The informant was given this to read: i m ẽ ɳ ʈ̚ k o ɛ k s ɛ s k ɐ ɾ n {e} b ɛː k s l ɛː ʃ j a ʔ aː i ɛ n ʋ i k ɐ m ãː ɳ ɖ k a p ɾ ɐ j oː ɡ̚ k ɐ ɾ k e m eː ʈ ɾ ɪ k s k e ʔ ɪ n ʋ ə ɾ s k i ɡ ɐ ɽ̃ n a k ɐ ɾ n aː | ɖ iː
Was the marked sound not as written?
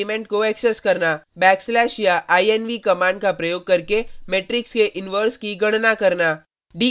yes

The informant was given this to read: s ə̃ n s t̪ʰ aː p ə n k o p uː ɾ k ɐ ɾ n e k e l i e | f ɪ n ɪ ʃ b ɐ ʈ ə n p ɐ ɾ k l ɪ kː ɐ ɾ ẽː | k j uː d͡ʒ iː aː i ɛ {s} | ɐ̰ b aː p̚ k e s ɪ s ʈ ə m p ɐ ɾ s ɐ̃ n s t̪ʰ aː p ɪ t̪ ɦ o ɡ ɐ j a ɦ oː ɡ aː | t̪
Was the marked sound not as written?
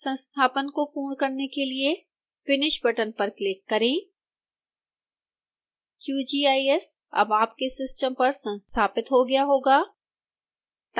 no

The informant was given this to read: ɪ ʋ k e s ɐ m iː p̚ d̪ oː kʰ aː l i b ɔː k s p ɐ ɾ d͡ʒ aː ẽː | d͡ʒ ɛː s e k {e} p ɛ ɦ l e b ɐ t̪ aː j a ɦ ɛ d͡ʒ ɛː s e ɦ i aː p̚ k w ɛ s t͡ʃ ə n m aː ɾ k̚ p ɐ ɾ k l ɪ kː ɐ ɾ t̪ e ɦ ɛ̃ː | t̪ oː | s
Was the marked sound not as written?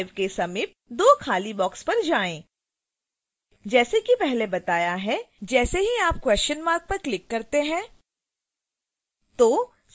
yes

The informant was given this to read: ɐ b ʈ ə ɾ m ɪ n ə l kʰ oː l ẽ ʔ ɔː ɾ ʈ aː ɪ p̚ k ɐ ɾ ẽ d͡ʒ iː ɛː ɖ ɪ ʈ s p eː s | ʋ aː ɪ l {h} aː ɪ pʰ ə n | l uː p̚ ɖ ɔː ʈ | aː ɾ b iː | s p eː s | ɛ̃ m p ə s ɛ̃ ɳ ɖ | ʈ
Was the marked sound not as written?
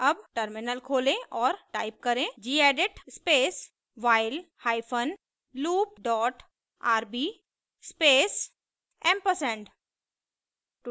no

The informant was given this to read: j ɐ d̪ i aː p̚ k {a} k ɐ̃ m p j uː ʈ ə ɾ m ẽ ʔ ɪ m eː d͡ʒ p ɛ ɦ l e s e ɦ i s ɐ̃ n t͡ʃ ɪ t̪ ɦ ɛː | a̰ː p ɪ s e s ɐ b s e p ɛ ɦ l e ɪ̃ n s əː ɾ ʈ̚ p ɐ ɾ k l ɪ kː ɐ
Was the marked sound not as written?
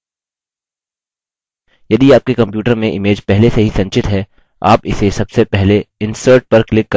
yes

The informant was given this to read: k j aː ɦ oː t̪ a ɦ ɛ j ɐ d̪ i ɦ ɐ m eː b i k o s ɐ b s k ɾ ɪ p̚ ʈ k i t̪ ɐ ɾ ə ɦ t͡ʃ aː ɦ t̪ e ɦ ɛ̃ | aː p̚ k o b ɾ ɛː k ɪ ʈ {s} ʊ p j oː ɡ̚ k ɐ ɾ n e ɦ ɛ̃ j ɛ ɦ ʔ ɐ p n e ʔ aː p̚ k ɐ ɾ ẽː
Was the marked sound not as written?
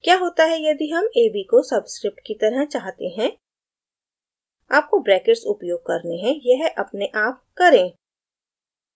no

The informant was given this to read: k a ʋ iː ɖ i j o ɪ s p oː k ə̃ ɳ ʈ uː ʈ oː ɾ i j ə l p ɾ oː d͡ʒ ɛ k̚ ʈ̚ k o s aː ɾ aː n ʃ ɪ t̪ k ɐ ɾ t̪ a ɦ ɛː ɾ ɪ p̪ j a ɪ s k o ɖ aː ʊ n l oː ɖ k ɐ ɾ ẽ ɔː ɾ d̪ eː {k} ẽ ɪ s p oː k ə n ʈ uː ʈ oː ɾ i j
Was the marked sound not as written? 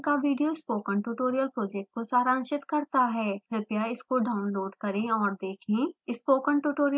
yes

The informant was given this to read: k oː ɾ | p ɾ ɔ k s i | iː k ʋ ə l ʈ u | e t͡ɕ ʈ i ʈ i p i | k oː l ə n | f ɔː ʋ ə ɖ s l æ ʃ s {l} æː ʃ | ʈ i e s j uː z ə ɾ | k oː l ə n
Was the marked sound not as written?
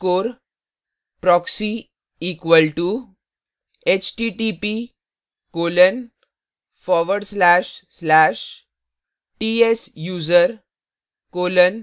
no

